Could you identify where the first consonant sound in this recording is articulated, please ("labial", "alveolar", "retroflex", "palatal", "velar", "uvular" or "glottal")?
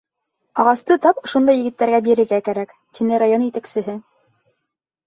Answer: uvular